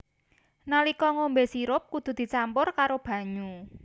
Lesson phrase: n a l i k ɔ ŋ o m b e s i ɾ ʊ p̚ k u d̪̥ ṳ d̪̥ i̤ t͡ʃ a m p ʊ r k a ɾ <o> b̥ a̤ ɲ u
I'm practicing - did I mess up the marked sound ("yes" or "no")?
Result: no